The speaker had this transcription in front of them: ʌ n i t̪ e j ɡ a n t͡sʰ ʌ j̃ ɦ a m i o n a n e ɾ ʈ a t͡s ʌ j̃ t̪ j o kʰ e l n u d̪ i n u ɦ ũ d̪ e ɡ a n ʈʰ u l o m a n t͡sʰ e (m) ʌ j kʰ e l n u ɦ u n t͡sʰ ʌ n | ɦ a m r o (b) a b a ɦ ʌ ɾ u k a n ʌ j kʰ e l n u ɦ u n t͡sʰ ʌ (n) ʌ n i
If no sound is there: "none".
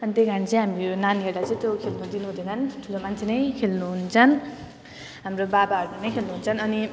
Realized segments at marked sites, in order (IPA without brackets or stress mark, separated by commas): n, b, n